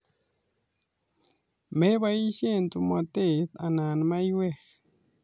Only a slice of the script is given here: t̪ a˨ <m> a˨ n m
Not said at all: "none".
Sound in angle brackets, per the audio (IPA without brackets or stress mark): n